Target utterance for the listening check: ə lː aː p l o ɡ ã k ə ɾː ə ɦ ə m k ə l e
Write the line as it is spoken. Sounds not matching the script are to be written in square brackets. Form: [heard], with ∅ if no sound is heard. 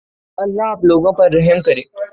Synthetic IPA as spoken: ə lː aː p l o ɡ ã [p] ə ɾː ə ɦ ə m k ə [ɾ] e